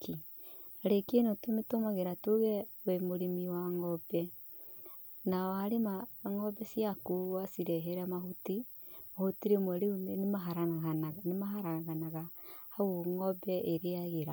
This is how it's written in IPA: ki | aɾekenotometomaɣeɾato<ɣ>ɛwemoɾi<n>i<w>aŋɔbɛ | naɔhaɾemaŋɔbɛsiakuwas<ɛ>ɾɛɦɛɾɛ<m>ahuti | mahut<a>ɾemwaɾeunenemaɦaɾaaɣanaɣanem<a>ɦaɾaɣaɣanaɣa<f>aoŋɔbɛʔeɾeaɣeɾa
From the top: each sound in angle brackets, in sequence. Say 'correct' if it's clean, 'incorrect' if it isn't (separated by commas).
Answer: correct, incorrect, correct, incorrect, correct, incorrect, correct, incorrect